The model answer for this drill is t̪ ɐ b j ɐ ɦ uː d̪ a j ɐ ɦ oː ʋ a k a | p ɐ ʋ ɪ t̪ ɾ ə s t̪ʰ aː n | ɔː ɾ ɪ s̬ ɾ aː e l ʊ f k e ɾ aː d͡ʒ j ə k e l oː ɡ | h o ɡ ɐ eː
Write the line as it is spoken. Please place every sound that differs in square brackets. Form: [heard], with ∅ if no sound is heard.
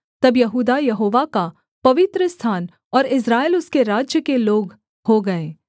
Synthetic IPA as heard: t̪ ɐ b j ɐ ɦ uː d̪ a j ɐ ɦ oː ʋ a k a | p ɐ ʋ ɪ t̪ ɾ ə s t̪ʰ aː n | ɔː ɾ ɪ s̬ ɾ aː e l ʊ [s] k e ɾ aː d͡ʒ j ə k e l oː ɡ | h o ɡ ɐ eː